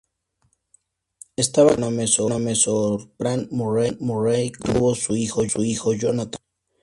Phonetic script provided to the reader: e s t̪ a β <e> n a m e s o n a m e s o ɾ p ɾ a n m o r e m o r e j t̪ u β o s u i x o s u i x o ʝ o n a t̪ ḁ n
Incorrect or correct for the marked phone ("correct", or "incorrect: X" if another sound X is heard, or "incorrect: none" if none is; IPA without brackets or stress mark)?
incorrect: a